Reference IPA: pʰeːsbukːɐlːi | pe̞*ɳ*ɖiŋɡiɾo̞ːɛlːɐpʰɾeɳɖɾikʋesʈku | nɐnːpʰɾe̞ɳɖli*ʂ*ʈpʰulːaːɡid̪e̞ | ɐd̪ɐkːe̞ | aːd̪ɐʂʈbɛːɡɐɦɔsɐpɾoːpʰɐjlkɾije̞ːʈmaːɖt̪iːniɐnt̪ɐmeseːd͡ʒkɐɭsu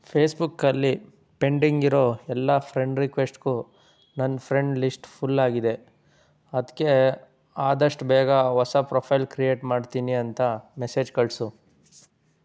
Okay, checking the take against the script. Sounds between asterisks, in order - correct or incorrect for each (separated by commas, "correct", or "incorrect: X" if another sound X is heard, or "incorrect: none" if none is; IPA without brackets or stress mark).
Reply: correct, incorrect: s